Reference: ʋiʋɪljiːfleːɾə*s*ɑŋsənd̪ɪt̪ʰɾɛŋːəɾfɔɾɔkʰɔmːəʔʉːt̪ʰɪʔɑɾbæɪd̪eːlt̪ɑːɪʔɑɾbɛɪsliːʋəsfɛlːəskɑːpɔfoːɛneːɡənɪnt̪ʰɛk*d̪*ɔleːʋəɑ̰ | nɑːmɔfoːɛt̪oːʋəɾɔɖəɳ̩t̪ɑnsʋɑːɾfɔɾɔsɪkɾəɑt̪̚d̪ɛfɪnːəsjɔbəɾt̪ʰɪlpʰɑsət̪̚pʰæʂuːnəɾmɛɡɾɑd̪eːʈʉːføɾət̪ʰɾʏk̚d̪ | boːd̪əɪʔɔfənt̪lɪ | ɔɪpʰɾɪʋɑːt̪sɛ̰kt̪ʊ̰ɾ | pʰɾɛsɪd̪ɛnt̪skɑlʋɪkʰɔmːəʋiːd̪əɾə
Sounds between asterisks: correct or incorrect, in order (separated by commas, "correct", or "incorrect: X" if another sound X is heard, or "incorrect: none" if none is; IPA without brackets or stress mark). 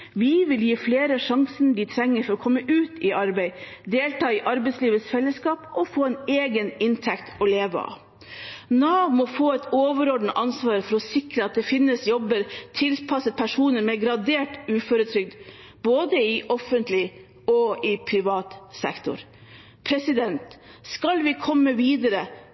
incorrect: ʂ, incorrect: t̪